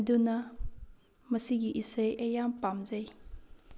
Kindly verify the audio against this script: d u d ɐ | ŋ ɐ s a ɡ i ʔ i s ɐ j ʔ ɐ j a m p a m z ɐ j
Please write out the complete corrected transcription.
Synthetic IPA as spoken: d u n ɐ | m ɐ s i ɡ i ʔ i s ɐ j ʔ ɐ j a m p a m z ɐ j